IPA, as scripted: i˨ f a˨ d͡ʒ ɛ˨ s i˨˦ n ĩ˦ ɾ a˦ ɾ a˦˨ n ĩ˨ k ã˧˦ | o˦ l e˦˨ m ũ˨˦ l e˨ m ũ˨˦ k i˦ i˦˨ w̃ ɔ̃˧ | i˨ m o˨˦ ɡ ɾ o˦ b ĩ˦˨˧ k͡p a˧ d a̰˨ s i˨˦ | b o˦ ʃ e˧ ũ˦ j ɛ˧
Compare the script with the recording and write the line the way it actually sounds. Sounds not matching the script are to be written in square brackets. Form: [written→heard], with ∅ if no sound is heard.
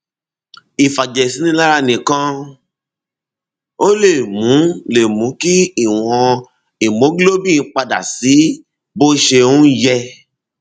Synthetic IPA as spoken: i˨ f a˨ d͡ʒ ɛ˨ s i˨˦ n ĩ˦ [ɾ→l] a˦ ɾ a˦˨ n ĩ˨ k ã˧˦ | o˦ l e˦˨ m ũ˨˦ l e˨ m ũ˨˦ k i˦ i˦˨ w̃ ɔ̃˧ | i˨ m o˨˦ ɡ [ɾ→l] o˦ b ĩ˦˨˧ k͡p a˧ d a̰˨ s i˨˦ | b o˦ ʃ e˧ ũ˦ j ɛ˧